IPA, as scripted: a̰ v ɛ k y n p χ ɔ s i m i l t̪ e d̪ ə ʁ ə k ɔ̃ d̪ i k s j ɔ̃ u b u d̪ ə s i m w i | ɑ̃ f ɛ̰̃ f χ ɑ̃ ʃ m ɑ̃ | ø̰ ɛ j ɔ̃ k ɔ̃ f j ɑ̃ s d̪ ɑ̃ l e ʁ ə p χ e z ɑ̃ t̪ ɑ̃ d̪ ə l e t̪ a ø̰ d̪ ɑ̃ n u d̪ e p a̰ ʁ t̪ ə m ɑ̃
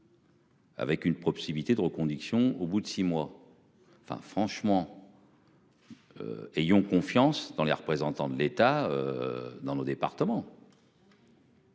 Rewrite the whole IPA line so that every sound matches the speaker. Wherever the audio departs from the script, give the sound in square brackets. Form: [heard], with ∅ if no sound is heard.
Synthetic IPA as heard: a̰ v ɛ k y n p χ ɔ s i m i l t̪ e d̪ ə ʁ ə k ɔ̃ d̪ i k s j ɔ̃ [o] b u d̪ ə s i m w [a] | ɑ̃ f ɛ̰̃ f χ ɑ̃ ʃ m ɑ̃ | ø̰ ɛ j ɔ̃ k ɔ̃ f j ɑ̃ s d̪ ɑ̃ l e ʁ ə p χ e z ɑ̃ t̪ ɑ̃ d̪ ə l e t̪ a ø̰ d̪ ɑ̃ n [o] d̪ e p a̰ ʁ t̪ ə m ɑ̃